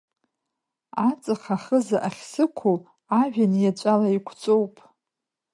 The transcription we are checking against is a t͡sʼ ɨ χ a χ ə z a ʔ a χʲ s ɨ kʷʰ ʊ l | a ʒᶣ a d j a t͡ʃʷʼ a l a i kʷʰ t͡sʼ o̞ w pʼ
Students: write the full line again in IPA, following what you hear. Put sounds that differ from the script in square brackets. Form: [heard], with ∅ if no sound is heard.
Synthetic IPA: a t͡sʼ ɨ χ a χ ə z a ʔ a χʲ s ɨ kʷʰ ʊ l | a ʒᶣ a [n] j a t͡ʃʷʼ a l a i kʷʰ t͡sʼ o̞ w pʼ